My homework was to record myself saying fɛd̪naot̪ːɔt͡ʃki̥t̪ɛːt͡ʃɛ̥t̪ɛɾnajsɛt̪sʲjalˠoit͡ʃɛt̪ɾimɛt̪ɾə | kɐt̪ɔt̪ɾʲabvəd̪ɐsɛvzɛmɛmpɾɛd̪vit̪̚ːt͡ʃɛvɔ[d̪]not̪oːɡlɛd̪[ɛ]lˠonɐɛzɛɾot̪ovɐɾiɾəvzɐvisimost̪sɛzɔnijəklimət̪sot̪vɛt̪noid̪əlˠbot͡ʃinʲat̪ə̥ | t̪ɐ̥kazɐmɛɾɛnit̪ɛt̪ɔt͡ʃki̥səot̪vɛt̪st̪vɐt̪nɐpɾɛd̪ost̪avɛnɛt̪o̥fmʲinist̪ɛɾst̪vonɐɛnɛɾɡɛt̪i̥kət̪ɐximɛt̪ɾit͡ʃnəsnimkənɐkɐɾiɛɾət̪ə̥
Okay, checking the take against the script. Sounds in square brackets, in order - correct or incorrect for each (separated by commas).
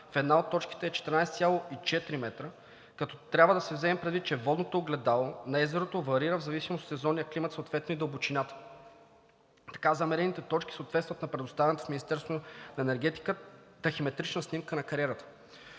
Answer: correct, incorrect